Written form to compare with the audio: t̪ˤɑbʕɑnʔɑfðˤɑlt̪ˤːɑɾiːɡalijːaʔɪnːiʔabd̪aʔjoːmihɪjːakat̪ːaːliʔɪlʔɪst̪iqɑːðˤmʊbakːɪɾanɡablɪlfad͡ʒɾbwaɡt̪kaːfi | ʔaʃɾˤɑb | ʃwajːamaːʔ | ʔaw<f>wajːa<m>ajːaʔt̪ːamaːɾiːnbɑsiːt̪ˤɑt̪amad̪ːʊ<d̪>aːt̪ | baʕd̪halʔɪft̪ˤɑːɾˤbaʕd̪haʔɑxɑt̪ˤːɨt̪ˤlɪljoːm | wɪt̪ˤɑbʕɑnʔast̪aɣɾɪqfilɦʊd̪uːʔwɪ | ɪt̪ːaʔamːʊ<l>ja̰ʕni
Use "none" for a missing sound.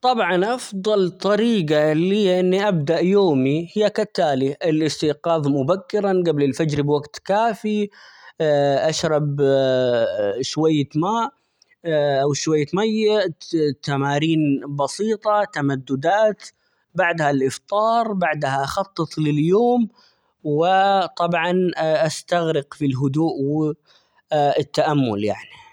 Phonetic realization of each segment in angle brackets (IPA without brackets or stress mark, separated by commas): ʃ, m, d̪, l